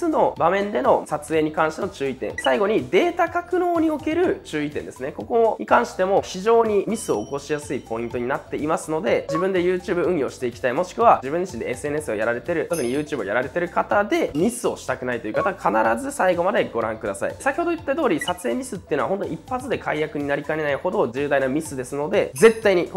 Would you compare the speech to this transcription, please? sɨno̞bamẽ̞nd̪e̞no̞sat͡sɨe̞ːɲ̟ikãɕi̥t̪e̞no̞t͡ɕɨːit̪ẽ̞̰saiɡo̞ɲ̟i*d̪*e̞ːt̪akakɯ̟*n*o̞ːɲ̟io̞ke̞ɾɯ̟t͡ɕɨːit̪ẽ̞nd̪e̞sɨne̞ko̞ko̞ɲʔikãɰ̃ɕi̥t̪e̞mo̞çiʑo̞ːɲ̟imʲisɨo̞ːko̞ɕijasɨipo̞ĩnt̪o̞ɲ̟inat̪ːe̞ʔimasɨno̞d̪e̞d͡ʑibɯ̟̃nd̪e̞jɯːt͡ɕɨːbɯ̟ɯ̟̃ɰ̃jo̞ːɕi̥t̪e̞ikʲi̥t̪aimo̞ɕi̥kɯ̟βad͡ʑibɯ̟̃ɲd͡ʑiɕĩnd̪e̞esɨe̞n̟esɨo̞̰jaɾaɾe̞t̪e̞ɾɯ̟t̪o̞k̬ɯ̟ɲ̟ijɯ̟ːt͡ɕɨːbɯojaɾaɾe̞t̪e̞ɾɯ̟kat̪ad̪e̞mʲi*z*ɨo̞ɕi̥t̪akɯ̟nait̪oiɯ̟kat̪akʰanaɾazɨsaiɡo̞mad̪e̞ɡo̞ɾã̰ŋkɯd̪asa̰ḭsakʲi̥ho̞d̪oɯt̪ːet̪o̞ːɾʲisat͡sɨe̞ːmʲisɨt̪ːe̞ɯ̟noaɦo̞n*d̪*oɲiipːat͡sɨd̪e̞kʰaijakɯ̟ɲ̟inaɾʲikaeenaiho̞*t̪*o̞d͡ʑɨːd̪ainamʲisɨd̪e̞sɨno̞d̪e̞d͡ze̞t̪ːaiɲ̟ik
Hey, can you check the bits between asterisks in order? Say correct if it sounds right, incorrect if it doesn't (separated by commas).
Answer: correct, correct, incorrect, incorrect, incorrect